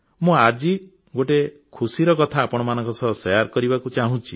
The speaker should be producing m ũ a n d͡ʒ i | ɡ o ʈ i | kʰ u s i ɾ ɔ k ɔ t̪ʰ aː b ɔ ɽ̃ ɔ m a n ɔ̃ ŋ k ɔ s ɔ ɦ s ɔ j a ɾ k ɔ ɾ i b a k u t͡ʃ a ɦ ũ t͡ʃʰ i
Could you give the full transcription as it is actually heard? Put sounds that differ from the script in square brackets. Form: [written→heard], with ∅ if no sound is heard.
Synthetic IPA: m ũ a [n→∅] d͡ʒ i | ɡ o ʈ [i→e] | kʰ u s i ɾ ɔ k ɔ t̪ʰ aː [b→p] ɔ ɽ̃ ɔ m a n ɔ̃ ŋ k ɔ s ɔ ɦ s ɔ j a ɾ k ɔ ɾ i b a k u t͡ʃ a ɦ ũ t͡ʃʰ i